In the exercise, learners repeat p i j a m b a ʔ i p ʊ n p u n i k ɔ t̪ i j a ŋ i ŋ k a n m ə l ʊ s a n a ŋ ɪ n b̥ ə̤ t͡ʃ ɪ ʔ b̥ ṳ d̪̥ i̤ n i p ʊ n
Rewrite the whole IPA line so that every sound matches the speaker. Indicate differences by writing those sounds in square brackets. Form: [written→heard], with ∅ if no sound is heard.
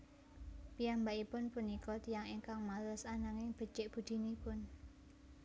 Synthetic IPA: p i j a m b a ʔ i p ʊ n p u n i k ɔ t̪ i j a ŋ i ŋ k a [n→ŋ] m [ə→a] l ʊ s a n a ŋ ɪ [n→ŋ] b̥ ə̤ t͡ʃ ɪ ʔ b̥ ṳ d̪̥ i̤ n i p ʊ n